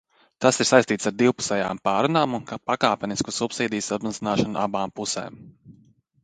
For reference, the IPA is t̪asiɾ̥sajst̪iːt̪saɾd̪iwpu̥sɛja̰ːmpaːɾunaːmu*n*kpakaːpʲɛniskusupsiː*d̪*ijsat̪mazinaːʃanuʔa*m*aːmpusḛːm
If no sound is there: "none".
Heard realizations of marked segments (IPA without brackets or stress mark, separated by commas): n, d̪, b